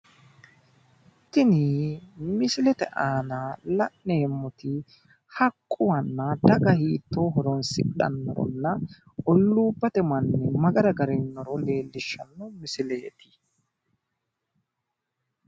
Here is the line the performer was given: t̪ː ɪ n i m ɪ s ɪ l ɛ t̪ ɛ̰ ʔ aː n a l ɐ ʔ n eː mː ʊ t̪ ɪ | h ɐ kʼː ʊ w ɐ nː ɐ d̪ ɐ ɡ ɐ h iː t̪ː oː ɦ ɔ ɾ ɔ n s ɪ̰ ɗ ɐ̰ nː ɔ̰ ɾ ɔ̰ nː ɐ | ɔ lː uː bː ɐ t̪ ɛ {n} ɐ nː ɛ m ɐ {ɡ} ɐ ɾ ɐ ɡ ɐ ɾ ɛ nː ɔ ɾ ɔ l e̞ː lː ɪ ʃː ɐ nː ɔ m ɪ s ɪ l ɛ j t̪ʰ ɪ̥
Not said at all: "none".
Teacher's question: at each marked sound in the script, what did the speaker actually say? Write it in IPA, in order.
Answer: m, ɡ

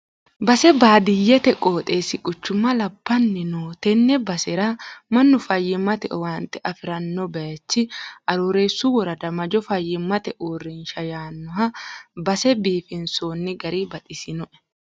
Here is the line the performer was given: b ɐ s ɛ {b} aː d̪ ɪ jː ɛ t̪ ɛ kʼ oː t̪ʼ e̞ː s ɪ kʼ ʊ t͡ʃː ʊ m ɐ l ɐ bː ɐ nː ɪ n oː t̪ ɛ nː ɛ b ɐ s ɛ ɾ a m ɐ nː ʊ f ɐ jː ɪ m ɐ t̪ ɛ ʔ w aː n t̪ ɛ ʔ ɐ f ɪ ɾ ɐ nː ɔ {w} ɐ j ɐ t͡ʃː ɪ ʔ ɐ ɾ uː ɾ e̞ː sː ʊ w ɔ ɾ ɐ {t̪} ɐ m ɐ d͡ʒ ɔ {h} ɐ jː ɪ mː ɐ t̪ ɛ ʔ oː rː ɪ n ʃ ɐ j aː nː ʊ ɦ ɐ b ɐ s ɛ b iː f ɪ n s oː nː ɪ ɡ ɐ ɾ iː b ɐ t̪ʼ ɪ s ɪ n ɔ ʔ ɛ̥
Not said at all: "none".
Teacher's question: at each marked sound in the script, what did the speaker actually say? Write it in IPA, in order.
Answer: b, b, d̪, f

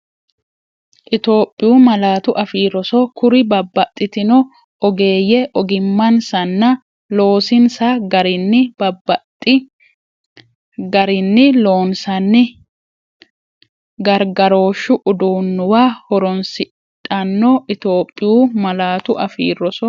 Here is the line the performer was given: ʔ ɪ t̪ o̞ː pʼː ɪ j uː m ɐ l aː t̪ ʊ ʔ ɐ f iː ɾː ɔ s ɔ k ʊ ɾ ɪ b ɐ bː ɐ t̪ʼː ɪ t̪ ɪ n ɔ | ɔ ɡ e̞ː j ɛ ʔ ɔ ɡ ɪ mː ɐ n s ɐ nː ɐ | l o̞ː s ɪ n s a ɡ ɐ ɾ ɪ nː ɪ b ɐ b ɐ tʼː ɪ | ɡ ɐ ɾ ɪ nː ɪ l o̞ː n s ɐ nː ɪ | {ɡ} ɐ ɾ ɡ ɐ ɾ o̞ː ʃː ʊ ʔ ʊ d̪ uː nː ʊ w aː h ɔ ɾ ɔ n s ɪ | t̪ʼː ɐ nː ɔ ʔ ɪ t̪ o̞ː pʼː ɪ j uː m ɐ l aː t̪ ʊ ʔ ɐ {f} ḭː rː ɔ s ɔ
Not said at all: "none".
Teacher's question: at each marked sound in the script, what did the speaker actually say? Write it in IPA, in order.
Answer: ɡ, f

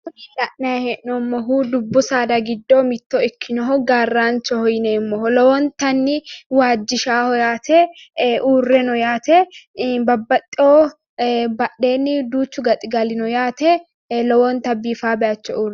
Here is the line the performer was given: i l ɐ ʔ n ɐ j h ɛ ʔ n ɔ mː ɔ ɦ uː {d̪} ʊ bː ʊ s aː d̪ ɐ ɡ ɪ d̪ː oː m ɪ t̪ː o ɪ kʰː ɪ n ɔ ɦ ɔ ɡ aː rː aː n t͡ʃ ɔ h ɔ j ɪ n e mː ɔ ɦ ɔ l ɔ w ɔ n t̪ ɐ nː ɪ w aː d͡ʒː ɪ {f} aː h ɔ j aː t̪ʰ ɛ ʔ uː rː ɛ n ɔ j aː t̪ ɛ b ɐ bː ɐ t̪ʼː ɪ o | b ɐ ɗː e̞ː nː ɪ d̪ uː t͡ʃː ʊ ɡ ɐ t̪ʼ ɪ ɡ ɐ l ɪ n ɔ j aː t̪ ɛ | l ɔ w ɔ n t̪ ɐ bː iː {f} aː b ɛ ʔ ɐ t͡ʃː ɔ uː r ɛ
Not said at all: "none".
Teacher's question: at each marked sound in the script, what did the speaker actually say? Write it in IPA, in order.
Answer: d̪, ʃ, f

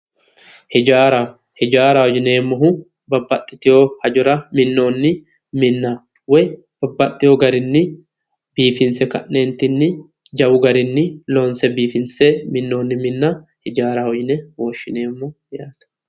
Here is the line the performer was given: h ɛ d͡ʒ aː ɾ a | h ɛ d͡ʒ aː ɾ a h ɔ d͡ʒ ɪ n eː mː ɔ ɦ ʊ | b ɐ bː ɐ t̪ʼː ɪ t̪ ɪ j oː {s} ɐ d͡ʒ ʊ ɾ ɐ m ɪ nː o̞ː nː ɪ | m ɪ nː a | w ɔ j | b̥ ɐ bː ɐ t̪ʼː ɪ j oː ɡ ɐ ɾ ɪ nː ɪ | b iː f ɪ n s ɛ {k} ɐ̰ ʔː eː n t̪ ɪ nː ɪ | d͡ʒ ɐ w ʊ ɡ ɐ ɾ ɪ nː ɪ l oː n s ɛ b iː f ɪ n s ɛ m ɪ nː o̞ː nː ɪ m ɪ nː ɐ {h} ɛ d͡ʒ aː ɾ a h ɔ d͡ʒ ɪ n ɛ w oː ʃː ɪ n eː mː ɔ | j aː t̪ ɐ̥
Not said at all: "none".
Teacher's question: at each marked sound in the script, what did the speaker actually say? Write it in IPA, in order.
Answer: h, k, h

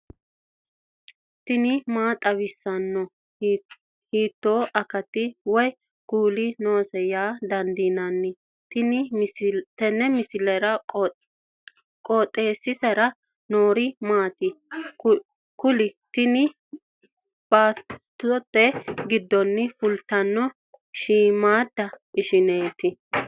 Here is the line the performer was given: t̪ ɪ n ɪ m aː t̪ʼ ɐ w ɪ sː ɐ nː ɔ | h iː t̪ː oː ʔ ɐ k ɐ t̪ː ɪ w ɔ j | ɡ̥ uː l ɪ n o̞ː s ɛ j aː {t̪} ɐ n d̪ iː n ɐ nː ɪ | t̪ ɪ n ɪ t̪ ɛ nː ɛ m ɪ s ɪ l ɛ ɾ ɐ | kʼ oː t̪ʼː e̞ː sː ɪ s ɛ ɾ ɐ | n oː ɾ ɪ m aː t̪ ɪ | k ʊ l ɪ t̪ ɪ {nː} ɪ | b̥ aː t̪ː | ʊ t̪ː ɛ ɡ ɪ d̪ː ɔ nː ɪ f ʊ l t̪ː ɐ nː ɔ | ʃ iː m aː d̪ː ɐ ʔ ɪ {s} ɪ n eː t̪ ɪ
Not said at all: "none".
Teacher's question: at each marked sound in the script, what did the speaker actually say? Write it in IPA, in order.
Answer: d̪, n, ʃ

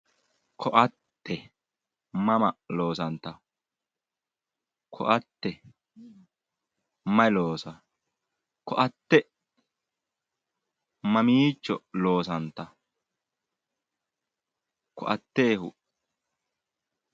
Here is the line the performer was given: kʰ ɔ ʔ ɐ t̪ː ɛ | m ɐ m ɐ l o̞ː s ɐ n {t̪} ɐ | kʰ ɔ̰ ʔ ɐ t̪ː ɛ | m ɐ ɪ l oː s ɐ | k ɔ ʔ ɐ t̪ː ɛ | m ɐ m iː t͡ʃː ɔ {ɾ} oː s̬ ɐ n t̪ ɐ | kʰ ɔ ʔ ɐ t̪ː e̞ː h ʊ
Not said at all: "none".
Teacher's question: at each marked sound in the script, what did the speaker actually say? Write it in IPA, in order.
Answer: t̪, l

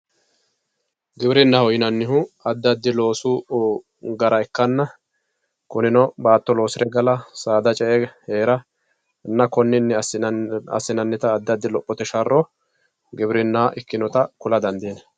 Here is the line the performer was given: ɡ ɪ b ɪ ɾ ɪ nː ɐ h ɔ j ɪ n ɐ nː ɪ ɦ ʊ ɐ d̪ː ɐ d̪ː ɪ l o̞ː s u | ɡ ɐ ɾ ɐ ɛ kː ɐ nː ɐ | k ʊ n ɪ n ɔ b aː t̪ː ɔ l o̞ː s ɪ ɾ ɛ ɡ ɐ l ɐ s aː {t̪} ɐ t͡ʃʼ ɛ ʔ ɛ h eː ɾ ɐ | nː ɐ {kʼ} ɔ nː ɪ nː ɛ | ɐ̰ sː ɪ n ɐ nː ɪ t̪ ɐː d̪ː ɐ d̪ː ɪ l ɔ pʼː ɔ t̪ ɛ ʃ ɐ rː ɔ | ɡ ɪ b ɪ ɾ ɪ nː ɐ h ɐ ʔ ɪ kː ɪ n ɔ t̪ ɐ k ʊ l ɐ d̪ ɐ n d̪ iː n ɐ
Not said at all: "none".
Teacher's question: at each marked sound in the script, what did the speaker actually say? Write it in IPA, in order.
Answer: d̪, k

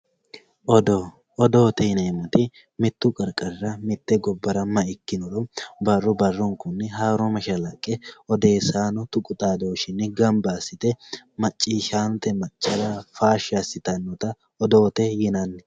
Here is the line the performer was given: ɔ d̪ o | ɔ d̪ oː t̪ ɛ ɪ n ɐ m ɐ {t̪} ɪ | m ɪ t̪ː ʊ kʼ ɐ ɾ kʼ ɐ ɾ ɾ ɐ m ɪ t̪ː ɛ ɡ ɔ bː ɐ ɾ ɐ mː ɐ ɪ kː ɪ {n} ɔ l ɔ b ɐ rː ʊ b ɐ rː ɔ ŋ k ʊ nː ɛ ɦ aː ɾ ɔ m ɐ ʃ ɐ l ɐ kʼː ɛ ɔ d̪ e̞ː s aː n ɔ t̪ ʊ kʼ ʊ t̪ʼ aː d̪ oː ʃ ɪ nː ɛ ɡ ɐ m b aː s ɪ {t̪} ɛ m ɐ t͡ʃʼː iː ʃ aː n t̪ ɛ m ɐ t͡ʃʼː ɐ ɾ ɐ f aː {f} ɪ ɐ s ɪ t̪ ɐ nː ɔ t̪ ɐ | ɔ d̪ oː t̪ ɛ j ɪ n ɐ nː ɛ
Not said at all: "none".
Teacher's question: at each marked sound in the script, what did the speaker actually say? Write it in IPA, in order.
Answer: t̪, n, t̪, ʃ

